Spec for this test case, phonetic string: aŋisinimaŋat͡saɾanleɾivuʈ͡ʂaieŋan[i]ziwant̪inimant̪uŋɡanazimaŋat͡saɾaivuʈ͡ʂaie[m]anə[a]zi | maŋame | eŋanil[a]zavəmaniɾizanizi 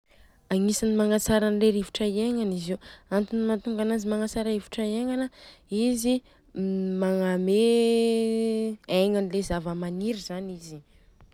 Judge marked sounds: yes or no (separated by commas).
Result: yes, no, no, no